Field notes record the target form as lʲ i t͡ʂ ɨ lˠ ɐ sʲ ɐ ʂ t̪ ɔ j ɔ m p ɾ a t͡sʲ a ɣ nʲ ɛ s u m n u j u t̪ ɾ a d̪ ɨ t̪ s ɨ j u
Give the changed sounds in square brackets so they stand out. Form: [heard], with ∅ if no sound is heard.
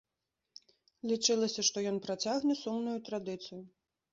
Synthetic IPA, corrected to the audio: lʲ i t͡ʂ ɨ lˠ ɐ sʲ ɐ ʂ t̪ ɔ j ɔ [n] p ɾ a t͡sʲ a ɣ nʲ ɛ s u m n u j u t̪ ɾ a d̪ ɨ t̪ s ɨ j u